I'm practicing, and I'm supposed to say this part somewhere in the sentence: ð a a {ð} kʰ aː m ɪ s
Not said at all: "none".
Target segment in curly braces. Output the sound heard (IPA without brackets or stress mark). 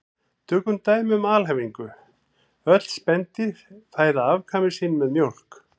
v